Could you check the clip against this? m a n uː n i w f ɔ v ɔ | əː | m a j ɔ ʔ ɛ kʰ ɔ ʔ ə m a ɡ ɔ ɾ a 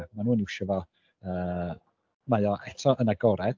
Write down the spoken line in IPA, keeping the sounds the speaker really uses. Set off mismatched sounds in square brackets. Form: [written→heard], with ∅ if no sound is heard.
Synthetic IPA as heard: m a n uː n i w [f→ʃ] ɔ v ɔ | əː | m a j ɔ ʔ ɛ [kʰ→tʰ] ɔ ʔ ə [m→n] a ɡ ɔ ɾ [a→ɛ]